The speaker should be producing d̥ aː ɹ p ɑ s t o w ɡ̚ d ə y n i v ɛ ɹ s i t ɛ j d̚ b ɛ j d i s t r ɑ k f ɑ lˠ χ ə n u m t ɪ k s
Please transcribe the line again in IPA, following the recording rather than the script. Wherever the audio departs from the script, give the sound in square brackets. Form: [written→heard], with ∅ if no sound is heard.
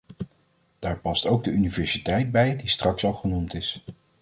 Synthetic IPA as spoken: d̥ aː ɹ p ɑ s t o w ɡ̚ d ə y n i v ɛ ɹ s i t ɛ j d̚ b ɛ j d i s t r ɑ k [f→s] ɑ lˠ χ ə n u m t ɪ [k→∅] s